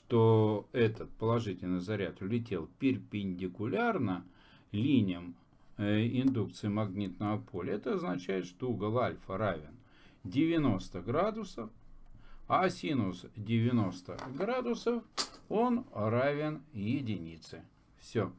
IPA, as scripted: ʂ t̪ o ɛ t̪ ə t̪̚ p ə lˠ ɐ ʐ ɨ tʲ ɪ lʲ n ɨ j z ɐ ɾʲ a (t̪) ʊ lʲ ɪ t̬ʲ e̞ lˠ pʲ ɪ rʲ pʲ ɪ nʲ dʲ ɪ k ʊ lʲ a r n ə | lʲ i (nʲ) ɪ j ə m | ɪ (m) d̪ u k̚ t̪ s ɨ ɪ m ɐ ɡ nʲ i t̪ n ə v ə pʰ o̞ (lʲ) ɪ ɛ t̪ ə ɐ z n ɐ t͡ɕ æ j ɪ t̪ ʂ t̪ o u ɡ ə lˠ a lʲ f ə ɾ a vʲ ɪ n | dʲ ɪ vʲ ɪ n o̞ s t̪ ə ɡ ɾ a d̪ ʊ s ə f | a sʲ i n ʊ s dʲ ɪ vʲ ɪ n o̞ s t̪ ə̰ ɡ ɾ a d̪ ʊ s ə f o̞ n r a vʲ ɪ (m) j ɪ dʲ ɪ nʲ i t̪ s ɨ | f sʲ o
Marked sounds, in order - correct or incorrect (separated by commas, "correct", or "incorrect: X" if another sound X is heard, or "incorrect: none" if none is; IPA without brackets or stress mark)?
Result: correct, correct, incorrect: n, correct, incorrect: n